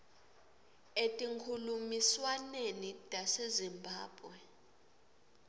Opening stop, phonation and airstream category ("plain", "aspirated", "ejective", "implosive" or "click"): ejective